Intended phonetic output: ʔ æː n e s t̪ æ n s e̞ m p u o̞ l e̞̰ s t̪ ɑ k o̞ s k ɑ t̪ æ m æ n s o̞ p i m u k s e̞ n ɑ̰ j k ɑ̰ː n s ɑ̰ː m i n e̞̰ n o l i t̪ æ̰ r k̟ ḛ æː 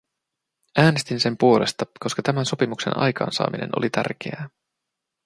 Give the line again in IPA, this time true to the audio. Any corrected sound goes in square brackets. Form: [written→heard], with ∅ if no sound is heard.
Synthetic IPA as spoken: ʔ æː n e s t̪ [æ→i] n s e̞ m p u o̞ l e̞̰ s t̪ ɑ k o̞ s k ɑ t̪ æ m æ n s o̞ p i m u k s e̞ n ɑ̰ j k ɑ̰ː n s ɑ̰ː m i n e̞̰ n o l i t̪ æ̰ r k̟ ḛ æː